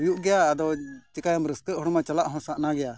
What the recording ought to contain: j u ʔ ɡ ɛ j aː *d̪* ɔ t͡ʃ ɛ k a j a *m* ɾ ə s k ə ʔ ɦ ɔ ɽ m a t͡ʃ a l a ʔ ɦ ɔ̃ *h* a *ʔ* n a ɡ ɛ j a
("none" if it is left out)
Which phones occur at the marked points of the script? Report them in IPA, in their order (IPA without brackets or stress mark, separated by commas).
d̪, m, s, ʔ